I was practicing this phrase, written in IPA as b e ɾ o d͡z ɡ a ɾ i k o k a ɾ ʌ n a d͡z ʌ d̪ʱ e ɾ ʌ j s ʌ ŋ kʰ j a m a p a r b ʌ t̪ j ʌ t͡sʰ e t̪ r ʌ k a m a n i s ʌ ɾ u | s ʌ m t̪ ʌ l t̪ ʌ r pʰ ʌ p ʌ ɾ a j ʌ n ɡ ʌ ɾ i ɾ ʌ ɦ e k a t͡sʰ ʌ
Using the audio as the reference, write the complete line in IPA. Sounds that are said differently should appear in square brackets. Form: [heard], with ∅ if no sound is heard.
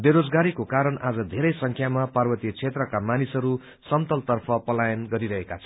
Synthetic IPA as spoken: b e ɾ o d͡z ɡ a ɾ i k o k a ɾ ʌ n a d͡z ʌ d̪ʱ e ɾ ʌ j s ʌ ŋ kʰ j a m a p a r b ʌ t̪ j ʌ t͡sʰ e t̪ r ʌ k a m a n i s ʌ ɾ u | s ʌ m t̪ ʌ l t̪ ʌ r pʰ ʌ p ʌ [l] a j ʌ n ɡ ʌ ɾ i ɾ ʌ ɦ e k a t͡sʰ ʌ

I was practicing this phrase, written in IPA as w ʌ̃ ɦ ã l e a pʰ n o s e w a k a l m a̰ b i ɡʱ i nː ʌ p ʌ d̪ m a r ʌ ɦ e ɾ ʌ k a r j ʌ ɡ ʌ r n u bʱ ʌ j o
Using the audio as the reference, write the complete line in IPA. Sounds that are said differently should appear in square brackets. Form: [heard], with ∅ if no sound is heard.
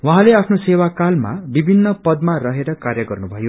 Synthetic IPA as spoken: w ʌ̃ ɦ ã l e a pʰ n o s e w a k a l m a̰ b i [bʱ] i nː ʌ p ʌ d̪ m a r ʌ ɦ e ɾ ʌ k a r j ʌ ɡ ʌ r n u bʱ ʌ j o

